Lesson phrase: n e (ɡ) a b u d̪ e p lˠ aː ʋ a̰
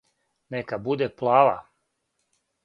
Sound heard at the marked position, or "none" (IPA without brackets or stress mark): k